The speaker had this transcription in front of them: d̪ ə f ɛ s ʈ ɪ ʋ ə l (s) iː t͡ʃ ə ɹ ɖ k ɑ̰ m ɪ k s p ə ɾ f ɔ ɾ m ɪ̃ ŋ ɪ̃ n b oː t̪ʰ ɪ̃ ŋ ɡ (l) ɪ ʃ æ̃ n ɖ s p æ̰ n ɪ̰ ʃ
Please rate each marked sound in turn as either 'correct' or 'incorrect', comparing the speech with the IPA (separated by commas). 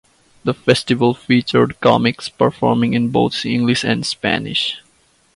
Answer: incorrect, correct